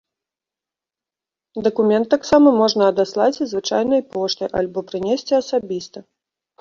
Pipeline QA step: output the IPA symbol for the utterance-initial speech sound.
d̪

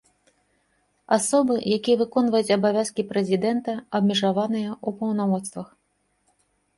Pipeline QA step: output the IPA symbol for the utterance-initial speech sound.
a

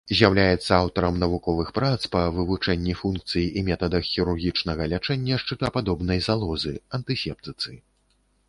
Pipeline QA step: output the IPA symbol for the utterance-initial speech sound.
zʲ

